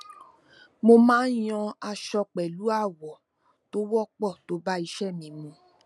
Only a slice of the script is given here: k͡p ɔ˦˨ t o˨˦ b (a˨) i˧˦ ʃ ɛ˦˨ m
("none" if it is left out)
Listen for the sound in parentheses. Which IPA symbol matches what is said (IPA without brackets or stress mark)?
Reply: a˦